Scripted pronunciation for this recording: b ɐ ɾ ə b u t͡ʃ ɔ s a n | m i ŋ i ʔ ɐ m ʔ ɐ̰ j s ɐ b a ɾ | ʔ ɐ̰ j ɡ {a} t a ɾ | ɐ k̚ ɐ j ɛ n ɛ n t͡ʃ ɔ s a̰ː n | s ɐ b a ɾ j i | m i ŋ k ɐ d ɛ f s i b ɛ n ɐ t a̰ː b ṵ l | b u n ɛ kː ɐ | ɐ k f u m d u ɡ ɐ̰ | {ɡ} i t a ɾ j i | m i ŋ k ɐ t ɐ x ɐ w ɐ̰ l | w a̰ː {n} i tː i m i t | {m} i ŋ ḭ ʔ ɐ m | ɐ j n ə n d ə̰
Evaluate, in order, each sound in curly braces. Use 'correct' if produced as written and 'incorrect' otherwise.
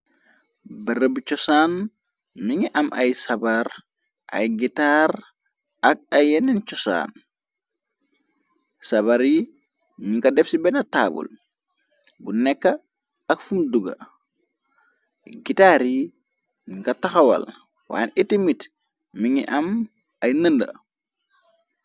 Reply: incorrect: i, correct, correct, correct

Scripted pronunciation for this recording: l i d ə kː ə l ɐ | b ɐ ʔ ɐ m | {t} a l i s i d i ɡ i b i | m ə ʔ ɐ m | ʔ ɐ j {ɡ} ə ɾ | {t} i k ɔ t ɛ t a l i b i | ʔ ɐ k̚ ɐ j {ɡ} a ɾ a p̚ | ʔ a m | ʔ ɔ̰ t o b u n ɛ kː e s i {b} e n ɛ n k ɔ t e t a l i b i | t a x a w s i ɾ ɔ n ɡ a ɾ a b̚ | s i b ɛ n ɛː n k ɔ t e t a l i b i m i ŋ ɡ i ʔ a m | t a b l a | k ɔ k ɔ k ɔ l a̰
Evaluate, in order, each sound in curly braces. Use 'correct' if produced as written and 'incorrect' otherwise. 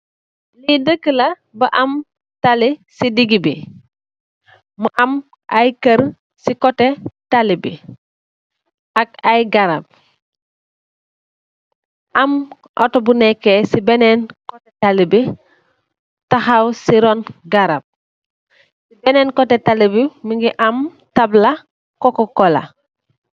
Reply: correct, incorrect: k, incorrect: s, correct, correct

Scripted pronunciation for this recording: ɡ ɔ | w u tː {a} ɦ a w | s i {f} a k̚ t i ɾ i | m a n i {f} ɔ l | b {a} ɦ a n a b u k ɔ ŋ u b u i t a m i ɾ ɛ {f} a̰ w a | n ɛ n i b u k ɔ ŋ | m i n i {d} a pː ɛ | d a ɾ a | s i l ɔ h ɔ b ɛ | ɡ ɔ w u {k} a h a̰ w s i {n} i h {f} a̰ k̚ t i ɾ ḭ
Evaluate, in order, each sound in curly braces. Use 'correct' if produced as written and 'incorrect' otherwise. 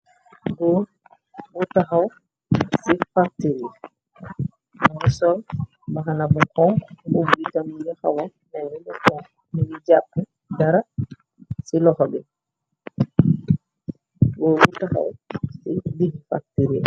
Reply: correct, correct, incorrect: s, correct, incorrect: h, incorrect: d͡ʒ, incorrect: t, incorrect: d, correct

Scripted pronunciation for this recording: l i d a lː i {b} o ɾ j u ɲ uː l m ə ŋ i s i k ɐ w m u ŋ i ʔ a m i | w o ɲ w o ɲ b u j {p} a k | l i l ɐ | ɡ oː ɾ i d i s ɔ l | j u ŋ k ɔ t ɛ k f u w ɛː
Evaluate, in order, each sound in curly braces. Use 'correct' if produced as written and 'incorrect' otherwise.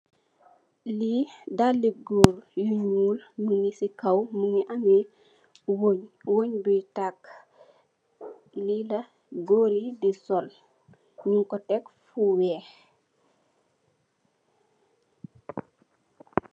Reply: incorrect: ɡ, incorrect: t

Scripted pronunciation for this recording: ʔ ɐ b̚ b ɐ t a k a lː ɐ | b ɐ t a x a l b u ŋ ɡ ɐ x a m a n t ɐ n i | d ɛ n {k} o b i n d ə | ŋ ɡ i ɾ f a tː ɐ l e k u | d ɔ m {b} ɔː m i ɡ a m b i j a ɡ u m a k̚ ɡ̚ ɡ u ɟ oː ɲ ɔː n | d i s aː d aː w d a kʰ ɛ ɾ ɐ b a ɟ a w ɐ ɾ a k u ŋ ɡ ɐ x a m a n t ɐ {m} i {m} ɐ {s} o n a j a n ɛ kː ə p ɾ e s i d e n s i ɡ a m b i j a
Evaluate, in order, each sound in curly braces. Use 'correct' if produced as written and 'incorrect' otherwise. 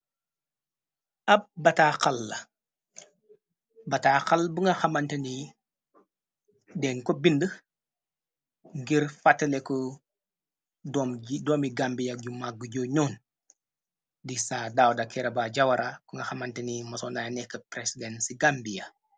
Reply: correct, incorrect: d, incorrect: n, correct, correct

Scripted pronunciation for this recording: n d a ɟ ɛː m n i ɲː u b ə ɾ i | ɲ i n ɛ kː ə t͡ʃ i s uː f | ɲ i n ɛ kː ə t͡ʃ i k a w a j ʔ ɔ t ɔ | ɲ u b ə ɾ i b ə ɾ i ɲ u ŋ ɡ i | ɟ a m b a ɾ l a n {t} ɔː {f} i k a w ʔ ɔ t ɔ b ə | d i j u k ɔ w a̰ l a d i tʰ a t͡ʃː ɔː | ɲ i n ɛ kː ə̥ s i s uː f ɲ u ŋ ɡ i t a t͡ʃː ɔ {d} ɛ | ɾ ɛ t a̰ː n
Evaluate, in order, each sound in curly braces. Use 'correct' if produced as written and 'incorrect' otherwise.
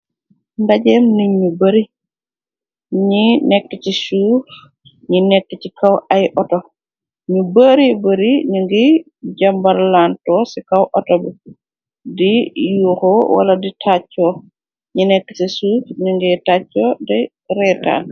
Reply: correct, incorrect: s, correct

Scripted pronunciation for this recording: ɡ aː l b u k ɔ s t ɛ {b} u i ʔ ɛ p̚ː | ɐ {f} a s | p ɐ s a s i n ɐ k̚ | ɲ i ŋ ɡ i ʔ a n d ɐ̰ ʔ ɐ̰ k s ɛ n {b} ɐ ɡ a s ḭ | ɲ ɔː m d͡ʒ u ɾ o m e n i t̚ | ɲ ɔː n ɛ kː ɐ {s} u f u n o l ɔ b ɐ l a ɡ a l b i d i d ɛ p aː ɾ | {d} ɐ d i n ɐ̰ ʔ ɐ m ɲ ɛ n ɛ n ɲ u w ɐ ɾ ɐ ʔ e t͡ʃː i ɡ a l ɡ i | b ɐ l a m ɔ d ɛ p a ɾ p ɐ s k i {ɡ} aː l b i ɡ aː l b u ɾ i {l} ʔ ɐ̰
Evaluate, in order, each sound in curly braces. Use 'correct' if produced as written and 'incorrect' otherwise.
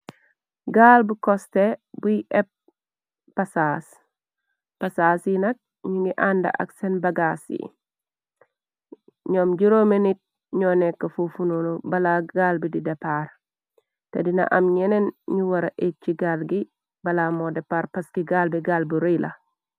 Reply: correct, incorrect: s, correct, incorrect: f, incorrect: t, correct, correct

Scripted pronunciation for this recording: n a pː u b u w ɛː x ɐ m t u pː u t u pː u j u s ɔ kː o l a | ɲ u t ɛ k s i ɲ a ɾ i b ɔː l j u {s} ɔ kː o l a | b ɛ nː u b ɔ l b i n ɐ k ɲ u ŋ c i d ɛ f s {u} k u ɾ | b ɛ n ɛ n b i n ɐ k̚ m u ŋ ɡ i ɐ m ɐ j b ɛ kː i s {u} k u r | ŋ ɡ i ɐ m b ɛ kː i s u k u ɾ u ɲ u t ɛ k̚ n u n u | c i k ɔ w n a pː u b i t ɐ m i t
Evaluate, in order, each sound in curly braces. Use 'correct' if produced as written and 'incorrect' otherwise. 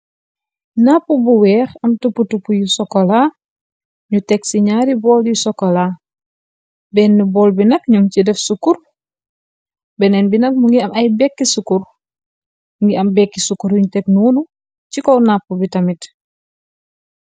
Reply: correct, correct, correct

